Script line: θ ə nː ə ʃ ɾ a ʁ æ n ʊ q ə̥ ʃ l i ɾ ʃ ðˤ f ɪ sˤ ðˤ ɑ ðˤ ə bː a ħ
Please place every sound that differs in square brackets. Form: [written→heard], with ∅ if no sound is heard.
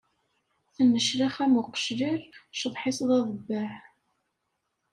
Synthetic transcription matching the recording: θ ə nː ə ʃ ɾ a [ʁ→χ] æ [n→m] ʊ q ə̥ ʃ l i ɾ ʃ ðˤ [f→ħ] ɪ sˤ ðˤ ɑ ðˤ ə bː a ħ